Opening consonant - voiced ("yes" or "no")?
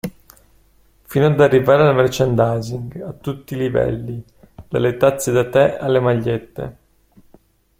no